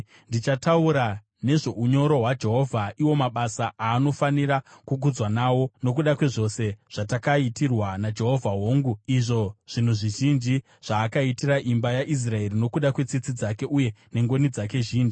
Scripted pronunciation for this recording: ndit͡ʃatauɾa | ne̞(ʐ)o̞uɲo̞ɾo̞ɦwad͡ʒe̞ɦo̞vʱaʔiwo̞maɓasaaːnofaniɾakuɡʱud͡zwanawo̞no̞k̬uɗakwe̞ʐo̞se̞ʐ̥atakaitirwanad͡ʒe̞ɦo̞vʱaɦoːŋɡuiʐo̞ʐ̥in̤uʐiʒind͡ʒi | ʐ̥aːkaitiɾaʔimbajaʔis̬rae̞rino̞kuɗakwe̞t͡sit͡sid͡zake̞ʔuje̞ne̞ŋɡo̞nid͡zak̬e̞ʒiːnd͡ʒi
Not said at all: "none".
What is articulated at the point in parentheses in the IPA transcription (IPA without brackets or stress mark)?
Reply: ʐ